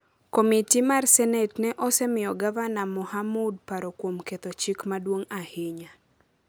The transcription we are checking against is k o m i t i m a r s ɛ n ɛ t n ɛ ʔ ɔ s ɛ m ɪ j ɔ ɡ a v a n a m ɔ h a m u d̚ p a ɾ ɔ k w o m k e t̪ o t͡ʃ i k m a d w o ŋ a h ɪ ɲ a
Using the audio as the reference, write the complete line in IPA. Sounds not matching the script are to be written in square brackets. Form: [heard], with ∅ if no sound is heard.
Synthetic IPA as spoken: k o m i t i m a r s ɛ n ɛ t n ɛ ʔ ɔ s ɛ m ɪ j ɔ ɡ a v a n a m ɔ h a m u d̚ p a ɾ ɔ k w o m k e t̪ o t͡ʃ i k m a d w o ŋ a h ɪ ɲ a